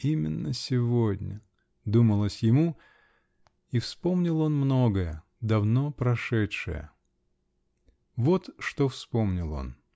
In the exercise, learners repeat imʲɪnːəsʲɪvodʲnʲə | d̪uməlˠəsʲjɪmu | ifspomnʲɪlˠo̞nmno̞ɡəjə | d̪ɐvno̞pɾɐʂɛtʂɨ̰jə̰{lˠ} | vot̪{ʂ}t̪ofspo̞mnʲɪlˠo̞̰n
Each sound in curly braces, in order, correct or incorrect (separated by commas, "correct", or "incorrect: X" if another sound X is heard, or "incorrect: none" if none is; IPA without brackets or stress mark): incorrect: none, correct